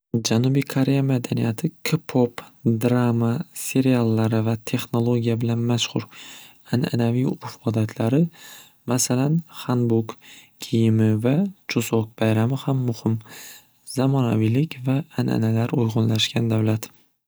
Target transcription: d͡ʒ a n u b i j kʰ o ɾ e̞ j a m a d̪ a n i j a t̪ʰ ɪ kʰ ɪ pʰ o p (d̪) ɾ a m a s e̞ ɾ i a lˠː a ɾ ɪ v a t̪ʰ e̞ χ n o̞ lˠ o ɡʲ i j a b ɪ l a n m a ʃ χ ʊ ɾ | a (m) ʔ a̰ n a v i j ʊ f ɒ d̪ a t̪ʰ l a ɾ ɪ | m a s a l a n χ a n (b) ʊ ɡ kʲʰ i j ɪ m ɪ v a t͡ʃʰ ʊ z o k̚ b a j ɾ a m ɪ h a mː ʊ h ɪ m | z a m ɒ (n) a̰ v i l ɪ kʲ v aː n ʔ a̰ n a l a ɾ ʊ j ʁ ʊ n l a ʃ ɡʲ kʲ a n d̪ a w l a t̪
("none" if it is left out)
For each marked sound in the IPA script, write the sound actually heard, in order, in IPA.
d̪, n, b, n

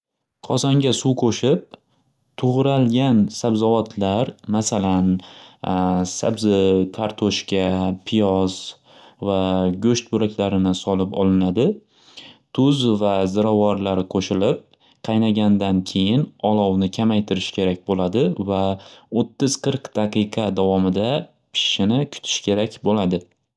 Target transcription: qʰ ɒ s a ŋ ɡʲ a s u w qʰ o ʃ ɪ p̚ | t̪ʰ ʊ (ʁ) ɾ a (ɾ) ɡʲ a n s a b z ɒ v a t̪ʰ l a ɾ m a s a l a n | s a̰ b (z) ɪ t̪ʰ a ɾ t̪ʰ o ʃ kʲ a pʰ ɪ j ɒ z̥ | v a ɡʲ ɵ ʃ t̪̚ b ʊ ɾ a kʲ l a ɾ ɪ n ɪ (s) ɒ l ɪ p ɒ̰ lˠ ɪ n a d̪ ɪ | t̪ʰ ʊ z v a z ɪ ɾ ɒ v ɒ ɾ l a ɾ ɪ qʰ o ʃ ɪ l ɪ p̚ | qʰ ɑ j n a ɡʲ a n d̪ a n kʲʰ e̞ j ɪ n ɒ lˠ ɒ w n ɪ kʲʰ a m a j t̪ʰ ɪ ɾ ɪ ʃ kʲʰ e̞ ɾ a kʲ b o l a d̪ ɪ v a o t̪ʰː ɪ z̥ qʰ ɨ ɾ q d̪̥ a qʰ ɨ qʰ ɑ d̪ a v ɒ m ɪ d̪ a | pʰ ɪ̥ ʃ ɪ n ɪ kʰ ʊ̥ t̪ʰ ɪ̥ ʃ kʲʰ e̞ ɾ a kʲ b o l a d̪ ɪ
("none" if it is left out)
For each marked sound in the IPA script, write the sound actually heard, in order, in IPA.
ʁ, l, z, s

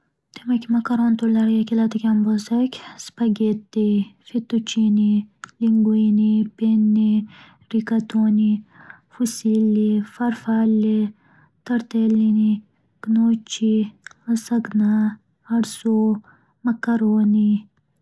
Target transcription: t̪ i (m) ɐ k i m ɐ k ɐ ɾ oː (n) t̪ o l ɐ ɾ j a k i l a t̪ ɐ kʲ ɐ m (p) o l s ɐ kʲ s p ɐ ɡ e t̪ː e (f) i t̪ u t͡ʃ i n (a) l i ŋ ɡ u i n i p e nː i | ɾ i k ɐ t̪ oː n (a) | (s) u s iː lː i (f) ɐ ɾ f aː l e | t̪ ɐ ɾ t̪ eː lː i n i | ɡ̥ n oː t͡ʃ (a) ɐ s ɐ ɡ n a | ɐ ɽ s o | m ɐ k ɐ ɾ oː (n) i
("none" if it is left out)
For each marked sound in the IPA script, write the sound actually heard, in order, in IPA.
m, n, b, f, i, i, f, f, i, n

